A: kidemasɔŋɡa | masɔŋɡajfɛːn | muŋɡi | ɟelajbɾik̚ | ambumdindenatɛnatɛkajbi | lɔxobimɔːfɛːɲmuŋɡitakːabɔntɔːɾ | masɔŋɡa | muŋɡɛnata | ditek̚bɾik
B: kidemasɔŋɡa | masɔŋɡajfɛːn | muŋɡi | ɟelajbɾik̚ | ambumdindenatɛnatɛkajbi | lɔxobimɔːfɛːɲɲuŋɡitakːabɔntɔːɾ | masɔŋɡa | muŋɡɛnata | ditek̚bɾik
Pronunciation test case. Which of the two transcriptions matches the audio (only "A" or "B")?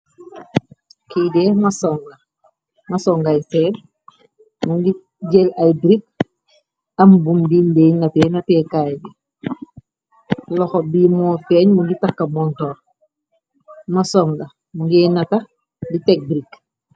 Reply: A